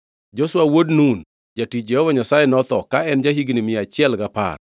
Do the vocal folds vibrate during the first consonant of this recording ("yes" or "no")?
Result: yes